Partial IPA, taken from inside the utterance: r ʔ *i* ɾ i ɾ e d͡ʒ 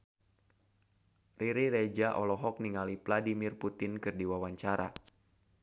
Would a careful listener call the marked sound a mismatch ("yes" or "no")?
no